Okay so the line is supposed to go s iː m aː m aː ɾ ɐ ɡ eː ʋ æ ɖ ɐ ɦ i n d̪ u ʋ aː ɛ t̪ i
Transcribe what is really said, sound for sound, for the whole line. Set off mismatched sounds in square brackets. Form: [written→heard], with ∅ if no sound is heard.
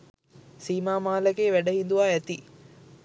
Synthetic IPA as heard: s iː m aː m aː [ɾ→l] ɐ ɡ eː ʋ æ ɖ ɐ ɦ i n d̪ u ʋ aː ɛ t̪ i